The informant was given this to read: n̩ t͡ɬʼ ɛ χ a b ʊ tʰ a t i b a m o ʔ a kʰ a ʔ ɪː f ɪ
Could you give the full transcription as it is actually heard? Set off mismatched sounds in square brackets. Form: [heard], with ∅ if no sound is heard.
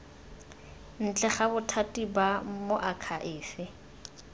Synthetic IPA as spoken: n̩ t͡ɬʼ ɛ χ a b ʊ tʰ a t i b a m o ʔ a kʰ a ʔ ɪː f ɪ